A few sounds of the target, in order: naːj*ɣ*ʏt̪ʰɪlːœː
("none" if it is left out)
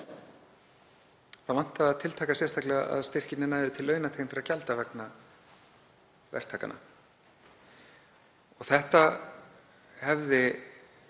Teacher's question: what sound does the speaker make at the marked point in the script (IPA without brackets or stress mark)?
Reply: ð